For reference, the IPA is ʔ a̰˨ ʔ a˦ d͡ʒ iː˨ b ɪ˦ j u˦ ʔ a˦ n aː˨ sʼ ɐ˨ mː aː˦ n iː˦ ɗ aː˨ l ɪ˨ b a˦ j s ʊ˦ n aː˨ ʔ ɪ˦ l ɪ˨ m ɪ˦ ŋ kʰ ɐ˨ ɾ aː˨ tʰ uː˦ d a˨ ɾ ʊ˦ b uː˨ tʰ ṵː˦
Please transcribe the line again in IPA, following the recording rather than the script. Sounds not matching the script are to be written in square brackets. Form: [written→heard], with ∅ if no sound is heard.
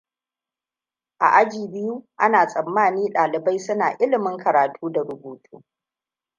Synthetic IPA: ʔ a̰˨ ʔ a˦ d͡ʒ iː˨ b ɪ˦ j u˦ ʔ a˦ n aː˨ sʼ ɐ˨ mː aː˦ n iː˦ ɗ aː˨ l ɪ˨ b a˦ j s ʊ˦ n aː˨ ʔ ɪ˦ l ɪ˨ m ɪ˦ ŋ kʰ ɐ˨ ɾ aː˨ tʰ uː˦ d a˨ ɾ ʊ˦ b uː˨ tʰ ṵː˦